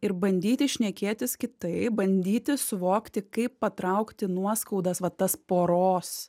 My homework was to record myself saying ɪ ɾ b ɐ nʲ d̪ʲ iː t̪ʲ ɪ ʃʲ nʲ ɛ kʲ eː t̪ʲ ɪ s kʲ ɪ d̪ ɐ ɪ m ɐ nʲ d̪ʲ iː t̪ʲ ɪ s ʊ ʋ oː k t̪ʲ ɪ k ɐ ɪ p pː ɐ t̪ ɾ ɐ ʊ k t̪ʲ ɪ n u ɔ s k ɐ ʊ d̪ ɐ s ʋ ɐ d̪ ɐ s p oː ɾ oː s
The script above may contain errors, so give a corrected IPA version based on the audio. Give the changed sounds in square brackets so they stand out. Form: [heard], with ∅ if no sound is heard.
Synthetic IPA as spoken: ɪ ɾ b ɐ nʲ d̪ʲ iː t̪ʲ ɪ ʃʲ nʲ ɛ kʲ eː t̪ʲ ɪ s kʲ ɪ [t̪] ɐ ɪ [b] ɐ nʲ d̪ʲ iː t̪ʲ ɪ s ʊ ʋ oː k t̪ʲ ɪ k ɐ ɪ p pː ɐ t̪ ɾ ɐ ʊ k t̪ʲ ɪ n u ɔ s k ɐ ʊ d̪ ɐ s ʋ ɐ [t̪] ɐ s p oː ɾ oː s